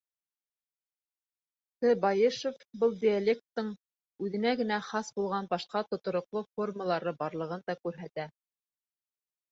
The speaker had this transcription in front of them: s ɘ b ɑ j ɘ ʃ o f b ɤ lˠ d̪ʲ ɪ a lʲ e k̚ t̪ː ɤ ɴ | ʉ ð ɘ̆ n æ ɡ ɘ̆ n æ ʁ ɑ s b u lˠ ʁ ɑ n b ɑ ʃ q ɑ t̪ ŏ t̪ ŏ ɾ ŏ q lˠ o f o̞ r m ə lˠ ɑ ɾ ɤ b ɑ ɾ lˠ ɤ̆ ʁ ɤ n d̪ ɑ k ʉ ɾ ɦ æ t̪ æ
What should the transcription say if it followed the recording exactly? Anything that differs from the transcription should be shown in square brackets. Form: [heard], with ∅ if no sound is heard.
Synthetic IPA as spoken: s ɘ b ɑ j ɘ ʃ o f b ɤ lˠ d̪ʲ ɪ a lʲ e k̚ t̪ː ɤ ɴ | ʉ ð ɘ̆ n æ ɡ ɘ̆ n æ [χ] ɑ s b u lˠ ʁ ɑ n b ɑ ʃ q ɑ t̪ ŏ t̪ ŏ ɾ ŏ q lˠ o f o̞ r m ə lˠ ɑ ɾ ɤ b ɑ ɾ lˠ ɤ̆ ʁ ɤ n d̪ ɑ k ʉ ɾ ɦ æ t̪ æ